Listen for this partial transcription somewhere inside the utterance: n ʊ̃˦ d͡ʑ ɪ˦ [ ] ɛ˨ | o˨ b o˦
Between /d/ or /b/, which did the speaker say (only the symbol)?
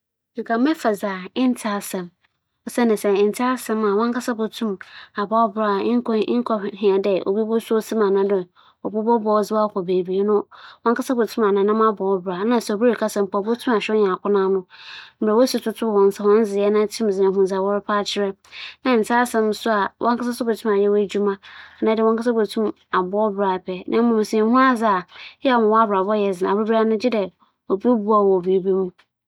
d